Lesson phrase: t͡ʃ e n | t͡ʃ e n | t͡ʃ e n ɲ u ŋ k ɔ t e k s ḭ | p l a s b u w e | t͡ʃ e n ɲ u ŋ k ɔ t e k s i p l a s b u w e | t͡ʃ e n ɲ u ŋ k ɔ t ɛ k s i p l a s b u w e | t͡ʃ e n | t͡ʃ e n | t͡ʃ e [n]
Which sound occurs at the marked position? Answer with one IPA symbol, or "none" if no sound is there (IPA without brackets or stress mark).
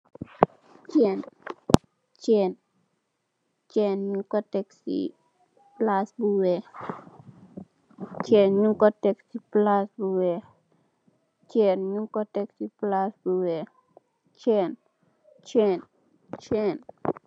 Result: n